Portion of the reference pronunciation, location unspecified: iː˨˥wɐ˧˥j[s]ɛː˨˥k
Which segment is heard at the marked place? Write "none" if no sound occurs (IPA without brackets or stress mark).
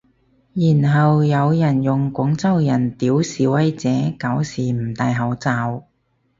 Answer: t͡s